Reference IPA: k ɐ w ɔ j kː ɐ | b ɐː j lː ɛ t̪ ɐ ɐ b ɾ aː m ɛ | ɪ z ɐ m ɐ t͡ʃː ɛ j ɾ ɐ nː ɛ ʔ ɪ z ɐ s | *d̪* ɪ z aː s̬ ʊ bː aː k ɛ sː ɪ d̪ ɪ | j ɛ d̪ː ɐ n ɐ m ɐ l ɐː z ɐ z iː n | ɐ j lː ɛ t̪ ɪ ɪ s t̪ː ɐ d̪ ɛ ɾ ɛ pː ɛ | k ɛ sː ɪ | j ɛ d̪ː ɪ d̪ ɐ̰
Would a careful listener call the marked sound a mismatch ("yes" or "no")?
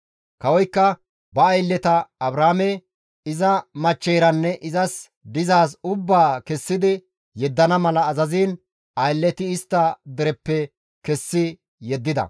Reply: no